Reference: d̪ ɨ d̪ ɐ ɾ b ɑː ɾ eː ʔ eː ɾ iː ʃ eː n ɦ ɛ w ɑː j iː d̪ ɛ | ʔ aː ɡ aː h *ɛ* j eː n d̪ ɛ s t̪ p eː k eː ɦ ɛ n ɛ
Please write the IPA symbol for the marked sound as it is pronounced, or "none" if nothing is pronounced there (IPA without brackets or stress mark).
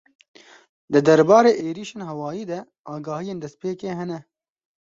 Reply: i